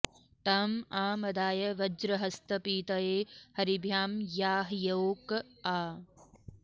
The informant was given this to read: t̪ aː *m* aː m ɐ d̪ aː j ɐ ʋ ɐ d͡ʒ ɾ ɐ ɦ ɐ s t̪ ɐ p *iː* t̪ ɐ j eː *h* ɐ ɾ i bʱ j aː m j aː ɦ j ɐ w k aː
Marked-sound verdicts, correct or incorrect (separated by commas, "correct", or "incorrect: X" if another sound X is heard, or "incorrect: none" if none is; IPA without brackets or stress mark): correct, correct, correct